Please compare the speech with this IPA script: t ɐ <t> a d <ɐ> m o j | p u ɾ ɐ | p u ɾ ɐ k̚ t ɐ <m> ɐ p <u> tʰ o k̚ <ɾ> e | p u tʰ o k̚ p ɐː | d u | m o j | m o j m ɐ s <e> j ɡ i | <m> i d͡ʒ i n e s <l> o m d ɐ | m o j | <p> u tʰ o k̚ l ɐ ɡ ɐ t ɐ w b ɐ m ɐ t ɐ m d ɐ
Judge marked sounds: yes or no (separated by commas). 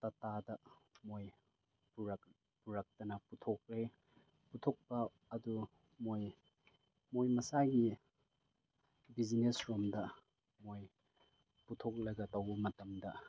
yes, yes, no, yes, yes, no, no, no, yes